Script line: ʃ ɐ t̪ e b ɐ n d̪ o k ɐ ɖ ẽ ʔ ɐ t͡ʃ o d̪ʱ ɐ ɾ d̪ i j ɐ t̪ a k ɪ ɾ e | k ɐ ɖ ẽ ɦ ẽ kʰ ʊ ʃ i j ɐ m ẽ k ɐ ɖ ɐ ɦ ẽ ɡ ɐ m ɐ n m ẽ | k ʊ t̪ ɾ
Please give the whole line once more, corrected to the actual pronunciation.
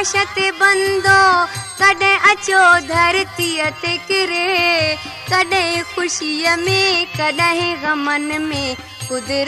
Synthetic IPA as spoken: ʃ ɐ t̪ e b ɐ n d̪ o k ɐ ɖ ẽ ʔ ɐ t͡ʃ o d̪ʱ ɐ ɾ t̪ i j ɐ t̪ e k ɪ ɾ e | k ɐ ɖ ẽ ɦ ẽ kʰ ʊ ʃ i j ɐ m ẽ k ɐ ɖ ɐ ɦ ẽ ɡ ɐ m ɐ n m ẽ | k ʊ d̪ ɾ